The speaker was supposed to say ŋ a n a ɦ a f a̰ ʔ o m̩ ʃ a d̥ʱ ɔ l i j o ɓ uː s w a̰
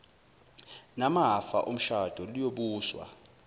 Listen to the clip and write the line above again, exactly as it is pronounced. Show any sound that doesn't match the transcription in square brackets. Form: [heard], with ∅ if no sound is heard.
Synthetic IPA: [n] a [m] a ɦ a f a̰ ʔ o m̩ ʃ a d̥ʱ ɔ l i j o ɓ uː s w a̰